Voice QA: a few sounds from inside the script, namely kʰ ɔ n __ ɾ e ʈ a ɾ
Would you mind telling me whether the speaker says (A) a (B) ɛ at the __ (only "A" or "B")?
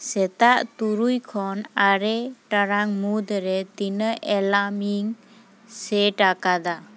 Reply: A